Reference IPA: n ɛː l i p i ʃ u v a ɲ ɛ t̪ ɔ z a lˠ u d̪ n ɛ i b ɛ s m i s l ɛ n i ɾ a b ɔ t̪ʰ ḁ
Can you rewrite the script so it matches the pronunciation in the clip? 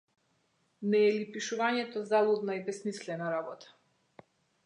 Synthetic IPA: n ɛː l i p i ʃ u v a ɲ ɛ t̪ ɔ z a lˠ u d̪ n a i b ɛ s m i s l ɛ n a ɾ a b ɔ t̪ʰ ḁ